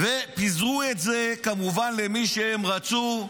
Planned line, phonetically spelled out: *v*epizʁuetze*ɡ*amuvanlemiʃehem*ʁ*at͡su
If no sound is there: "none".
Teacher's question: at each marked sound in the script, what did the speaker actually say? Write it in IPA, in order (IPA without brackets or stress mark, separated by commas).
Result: v, k, ʁ